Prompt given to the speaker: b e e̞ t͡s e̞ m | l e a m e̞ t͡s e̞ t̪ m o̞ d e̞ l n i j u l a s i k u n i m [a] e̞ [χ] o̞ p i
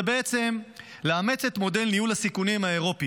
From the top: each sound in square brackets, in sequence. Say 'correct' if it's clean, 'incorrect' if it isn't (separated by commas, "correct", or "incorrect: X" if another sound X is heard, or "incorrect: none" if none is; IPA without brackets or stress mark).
correct, incorrect: ʁ